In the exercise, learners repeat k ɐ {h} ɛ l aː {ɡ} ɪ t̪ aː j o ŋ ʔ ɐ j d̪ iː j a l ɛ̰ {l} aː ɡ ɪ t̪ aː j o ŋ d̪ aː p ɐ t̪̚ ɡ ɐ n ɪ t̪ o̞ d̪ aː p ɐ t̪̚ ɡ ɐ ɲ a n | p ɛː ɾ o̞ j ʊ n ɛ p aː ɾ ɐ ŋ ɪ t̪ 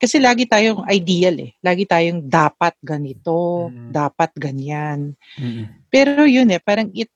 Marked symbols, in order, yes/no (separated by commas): no, yes, yes